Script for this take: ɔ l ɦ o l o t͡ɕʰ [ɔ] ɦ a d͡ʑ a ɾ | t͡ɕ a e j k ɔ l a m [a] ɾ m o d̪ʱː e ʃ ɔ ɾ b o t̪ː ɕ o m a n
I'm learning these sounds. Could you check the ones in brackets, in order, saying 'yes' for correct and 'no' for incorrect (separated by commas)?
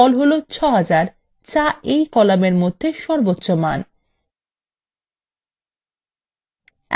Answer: yes, no